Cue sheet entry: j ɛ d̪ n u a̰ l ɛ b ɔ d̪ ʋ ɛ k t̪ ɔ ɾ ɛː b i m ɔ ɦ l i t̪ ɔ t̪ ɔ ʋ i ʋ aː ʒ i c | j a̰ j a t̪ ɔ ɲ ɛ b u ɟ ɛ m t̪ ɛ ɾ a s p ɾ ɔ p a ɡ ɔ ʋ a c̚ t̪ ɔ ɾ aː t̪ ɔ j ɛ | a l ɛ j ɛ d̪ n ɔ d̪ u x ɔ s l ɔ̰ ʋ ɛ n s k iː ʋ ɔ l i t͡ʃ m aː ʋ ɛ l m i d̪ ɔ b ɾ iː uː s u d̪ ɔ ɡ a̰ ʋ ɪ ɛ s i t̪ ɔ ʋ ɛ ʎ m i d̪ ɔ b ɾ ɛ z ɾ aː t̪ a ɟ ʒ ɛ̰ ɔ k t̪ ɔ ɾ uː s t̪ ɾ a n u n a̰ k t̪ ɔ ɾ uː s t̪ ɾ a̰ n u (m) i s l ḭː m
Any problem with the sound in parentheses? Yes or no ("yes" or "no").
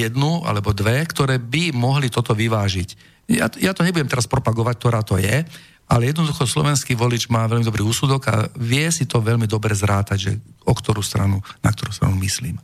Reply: no